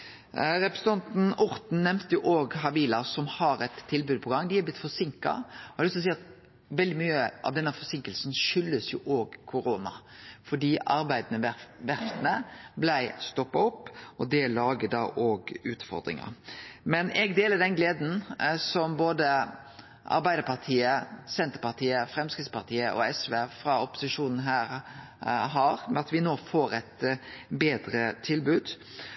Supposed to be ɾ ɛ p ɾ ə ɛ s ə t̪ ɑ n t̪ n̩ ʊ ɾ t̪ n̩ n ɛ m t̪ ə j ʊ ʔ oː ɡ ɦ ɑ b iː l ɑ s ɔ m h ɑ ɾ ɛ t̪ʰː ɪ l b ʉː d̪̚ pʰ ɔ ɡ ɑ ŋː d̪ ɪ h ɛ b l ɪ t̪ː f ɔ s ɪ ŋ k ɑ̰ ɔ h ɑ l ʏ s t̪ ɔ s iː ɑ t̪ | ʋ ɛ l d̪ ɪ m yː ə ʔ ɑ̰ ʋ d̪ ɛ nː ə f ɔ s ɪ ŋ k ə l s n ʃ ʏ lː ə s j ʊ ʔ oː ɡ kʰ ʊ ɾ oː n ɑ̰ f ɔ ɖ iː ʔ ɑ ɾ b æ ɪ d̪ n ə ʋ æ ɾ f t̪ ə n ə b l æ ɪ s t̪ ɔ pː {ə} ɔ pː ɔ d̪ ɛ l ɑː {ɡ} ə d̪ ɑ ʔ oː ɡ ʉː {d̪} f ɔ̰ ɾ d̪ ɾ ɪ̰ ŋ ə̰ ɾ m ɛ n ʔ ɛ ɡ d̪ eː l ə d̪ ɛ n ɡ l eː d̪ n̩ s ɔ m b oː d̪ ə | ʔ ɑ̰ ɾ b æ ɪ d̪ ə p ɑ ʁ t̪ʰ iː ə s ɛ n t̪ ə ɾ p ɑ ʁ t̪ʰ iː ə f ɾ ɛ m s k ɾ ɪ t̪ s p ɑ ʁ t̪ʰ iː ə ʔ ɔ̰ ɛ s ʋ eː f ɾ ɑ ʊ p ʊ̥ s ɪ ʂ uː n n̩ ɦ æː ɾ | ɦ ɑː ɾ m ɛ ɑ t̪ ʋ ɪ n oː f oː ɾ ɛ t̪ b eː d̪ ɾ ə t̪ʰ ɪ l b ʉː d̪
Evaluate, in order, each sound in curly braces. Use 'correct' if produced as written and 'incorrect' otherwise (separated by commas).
incorrect, correct, incorrect